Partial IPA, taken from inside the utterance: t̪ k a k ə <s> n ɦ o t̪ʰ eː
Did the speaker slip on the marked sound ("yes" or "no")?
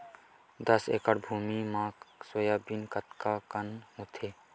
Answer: yes